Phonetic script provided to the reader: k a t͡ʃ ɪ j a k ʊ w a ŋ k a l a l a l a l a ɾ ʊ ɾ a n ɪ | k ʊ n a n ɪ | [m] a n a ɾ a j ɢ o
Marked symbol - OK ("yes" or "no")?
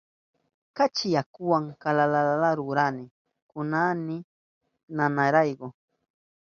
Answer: no